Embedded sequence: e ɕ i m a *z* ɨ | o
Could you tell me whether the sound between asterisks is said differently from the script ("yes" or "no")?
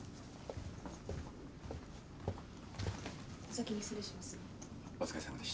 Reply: yes